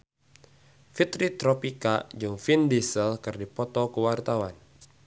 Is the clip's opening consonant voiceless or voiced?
voiceless